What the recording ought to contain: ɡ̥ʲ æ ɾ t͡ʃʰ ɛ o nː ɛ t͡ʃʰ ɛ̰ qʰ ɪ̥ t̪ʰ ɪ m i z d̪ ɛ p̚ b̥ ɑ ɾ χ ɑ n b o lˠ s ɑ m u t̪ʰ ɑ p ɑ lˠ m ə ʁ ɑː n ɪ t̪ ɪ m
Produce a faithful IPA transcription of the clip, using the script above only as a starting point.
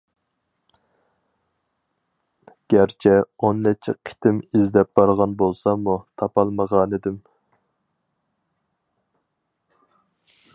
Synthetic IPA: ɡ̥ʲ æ ɾ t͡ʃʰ ɛ o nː ɛ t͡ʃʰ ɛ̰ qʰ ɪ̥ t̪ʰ ɪ m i z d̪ ɛ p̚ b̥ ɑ ɾ ʁ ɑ n b o lˠ s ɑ m u t̪ʰ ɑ p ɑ lˠ m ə ʁ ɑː n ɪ d̪ ɪ m